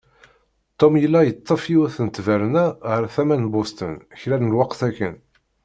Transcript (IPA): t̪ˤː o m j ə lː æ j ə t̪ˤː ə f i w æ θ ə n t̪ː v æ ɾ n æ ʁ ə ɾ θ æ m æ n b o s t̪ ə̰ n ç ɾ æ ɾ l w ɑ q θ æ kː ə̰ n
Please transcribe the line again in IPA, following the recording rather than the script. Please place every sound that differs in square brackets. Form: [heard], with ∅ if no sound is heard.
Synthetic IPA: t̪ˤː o m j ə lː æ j ə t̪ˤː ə f i w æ θ ə n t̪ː v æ ɾ n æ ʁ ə ɾ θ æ m æ n b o s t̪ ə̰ n ç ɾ æ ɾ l w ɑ q θ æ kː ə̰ n